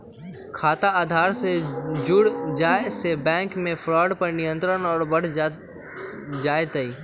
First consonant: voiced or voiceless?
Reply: voiceless